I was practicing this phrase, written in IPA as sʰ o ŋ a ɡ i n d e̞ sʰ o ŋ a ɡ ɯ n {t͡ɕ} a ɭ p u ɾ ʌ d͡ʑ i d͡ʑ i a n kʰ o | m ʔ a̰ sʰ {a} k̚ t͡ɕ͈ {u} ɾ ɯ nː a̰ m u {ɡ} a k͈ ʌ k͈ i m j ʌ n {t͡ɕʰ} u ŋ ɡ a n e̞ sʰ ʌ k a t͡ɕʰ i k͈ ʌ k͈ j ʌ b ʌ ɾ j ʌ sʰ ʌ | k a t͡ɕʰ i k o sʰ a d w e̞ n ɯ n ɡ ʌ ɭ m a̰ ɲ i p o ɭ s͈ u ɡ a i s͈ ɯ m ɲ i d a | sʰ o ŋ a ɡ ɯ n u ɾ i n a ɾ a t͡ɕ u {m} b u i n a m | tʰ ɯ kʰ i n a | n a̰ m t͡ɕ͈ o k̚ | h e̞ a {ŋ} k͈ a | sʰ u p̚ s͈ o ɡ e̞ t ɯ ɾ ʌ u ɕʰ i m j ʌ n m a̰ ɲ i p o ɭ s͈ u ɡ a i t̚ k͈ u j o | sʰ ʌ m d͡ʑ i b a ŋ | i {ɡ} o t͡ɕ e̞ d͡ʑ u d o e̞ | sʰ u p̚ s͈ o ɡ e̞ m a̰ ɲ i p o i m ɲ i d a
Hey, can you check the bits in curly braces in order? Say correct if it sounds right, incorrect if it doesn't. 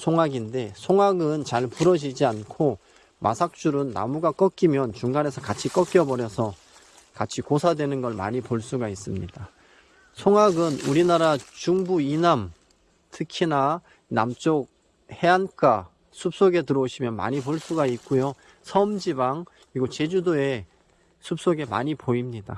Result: correct, correct, correct, correct, incorrect: t͡ɕ, incorrect: ŋ, incorrect: n, correct

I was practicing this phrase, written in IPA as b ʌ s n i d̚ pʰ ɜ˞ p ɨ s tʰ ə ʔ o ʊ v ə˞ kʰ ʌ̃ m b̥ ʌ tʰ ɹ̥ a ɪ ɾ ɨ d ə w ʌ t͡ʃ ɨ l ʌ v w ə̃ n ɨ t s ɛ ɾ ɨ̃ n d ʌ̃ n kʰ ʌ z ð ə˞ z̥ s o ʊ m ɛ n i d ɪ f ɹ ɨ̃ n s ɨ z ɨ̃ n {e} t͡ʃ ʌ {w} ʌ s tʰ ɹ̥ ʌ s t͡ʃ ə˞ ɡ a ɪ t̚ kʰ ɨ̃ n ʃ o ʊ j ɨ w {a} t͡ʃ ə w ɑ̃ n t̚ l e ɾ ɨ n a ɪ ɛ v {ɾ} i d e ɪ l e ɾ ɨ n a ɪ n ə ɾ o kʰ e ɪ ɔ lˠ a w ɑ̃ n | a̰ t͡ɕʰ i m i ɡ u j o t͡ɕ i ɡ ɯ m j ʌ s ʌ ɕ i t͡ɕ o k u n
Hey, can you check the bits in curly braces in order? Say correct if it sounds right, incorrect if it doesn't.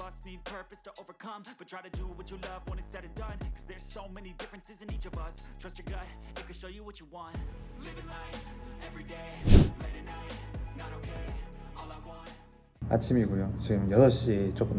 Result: incorrect: i, incorrect: v, incorrect: ʌ, incorrect: ɹ

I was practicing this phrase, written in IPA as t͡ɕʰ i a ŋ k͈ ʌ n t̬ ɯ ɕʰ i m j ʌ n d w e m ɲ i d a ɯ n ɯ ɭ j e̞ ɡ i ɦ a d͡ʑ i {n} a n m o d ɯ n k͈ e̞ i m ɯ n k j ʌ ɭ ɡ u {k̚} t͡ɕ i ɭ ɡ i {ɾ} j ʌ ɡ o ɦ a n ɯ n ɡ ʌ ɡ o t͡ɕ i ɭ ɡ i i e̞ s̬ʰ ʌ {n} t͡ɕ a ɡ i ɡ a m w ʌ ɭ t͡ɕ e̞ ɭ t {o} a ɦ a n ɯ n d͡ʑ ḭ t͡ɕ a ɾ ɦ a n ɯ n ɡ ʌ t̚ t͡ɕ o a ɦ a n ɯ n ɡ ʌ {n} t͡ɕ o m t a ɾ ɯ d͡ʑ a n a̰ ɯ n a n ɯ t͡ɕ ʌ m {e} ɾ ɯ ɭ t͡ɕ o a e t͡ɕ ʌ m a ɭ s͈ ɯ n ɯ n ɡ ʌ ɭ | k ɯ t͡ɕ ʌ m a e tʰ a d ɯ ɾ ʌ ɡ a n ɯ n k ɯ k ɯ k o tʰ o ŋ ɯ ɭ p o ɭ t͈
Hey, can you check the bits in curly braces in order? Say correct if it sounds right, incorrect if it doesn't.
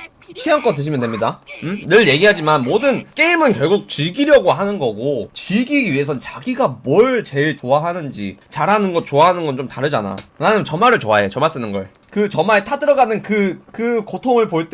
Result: incorrect: m, correct, correct, correct, correct, correct, incorrect: a

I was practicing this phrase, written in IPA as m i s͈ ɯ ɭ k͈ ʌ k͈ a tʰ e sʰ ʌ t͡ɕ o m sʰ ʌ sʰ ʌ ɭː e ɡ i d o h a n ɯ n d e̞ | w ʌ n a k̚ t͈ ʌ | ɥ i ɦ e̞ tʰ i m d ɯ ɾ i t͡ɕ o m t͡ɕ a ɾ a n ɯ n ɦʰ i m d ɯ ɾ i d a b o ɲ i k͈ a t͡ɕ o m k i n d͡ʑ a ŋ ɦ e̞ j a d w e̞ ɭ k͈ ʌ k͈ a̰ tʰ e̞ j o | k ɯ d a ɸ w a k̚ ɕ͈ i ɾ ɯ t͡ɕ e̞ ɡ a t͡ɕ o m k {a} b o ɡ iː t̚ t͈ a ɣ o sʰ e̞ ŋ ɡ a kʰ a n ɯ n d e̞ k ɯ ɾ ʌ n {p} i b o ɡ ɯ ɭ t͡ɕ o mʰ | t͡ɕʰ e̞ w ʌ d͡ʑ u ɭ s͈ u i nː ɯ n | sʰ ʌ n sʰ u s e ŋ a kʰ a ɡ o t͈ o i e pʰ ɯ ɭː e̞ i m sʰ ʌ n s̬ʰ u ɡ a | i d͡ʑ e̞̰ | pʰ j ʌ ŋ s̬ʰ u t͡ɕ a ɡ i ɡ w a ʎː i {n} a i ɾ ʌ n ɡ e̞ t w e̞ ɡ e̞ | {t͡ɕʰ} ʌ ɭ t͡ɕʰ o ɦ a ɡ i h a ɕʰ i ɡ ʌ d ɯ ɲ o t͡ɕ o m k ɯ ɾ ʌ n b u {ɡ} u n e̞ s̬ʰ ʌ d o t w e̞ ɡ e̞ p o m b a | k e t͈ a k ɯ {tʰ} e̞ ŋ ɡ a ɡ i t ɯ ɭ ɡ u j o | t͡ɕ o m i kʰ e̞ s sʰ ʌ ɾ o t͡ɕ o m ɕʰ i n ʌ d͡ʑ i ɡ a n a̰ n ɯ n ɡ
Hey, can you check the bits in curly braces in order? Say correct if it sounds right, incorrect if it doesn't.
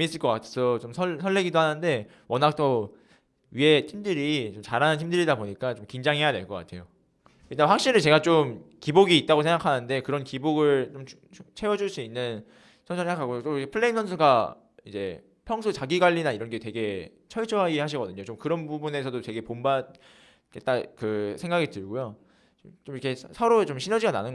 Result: incorrect: i, incorrect: k, correct, correct, incorrect: b, incorrect: sʰ

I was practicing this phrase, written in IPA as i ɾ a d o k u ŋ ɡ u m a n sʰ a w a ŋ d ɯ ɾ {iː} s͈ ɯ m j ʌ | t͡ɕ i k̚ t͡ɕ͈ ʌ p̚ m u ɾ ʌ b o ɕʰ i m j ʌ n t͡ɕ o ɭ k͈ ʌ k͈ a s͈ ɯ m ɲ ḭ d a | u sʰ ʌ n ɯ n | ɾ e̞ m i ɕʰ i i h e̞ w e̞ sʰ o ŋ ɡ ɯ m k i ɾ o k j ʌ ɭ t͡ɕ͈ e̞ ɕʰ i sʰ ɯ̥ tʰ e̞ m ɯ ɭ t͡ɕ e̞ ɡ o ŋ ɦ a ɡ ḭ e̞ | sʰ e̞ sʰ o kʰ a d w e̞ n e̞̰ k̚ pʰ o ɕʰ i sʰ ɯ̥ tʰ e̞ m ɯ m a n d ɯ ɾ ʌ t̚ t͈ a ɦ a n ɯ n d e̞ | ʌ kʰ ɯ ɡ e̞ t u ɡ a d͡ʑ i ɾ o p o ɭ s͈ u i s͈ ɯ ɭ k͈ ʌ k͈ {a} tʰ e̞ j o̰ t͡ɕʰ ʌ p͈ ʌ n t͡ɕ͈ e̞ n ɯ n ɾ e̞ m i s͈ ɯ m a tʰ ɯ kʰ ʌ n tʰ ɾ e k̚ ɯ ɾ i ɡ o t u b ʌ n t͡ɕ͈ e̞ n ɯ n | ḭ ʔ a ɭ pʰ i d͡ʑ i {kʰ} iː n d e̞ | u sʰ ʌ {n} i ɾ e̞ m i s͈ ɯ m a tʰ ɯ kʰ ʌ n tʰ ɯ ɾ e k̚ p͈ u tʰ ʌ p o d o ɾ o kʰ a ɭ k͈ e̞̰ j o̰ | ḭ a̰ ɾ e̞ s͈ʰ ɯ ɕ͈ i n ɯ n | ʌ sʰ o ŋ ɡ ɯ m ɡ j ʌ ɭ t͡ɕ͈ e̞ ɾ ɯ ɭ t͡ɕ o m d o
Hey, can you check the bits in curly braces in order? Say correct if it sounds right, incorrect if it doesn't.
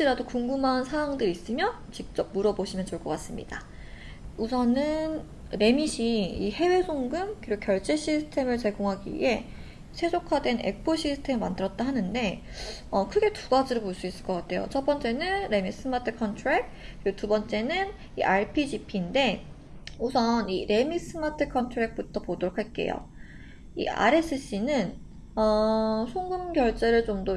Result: incorrect: i, correct, incorrect: pʰ, correct

